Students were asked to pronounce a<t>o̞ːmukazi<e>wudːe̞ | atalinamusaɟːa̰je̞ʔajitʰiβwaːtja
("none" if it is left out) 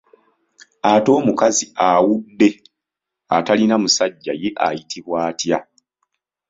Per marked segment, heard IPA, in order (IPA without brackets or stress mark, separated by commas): t, a